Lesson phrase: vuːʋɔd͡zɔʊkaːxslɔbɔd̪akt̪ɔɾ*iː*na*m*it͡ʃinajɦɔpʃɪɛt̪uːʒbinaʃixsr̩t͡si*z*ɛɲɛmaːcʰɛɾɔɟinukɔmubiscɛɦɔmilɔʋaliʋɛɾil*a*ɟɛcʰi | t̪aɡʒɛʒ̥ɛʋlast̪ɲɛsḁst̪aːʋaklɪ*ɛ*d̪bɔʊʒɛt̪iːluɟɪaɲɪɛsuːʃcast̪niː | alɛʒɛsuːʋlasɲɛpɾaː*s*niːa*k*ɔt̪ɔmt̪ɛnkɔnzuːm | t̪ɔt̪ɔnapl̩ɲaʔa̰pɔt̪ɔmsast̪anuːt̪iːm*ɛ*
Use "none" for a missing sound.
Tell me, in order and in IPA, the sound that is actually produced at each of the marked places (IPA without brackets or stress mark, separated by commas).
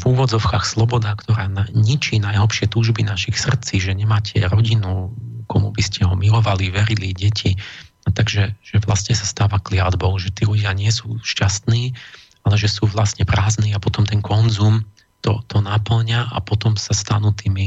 aː, ɲ, ʒ, i, a, z, p, i